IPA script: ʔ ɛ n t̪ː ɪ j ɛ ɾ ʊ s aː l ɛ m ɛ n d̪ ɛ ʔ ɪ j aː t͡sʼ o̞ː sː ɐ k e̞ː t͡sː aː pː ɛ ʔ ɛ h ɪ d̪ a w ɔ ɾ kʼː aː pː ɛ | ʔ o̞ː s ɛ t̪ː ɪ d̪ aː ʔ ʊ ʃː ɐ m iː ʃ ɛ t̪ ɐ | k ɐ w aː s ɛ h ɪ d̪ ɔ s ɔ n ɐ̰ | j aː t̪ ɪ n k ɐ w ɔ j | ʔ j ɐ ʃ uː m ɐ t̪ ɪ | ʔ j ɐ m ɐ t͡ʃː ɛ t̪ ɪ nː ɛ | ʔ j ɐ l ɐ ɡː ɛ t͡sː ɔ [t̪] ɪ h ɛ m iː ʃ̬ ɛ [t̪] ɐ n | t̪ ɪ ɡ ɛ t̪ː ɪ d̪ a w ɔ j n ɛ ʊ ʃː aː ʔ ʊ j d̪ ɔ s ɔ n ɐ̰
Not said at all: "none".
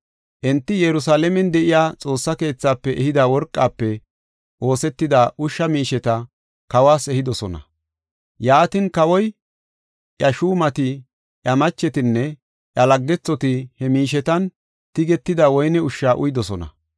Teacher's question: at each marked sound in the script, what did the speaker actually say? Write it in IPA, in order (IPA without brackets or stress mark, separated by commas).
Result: t̪, t̪